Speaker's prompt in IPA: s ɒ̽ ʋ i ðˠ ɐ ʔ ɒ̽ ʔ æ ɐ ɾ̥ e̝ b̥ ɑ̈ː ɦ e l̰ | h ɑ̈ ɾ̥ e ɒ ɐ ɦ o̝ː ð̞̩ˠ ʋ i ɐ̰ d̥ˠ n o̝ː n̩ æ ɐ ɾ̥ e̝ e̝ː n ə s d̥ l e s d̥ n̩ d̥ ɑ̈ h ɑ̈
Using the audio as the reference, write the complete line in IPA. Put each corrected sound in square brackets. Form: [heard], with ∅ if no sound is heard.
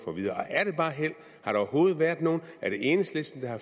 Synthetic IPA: [f] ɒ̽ ʋ i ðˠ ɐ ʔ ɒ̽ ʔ æ ɐ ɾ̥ e̝ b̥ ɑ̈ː ɦ e l̰ | h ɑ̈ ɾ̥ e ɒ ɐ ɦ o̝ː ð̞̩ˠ ʋ [æ] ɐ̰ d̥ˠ n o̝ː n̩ æ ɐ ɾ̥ e̝ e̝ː n ə s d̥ l e s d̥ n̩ d̥ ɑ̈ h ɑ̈